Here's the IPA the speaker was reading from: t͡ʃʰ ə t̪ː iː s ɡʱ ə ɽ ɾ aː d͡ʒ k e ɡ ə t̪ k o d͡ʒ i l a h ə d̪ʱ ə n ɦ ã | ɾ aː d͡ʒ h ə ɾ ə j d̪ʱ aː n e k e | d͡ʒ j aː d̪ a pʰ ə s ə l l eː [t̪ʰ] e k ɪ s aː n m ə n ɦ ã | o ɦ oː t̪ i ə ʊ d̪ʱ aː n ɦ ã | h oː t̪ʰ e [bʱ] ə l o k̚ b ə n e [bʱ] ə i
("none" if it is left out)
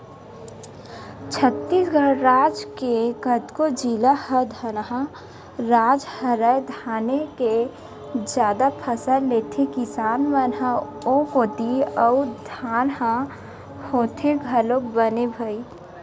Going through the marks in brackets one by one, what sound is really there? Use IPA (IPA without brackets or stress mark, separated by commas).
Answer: t̪ʰ, ɡʱ, bʱ